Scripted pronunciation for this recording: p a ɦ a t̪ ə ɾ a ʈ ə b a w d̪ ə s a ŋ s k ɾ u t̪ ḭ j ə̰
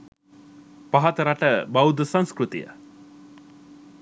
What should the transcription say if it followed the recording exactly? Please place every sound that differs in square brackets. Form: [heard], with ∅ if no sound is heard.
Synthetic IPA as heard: p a ɦ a t̪ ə ɾ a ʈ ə b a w d̪ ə s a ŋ s k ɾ u t̪ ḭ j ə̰